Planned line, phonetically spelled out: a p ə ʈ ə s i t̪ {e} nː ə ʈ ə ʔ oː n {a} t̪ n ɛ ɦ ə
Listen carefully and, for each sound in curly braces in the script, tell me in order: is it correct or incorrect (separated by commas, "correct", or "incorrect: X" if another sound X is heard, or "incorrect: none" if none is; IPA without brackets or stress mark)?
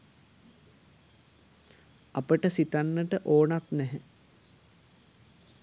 incorrect: a, correct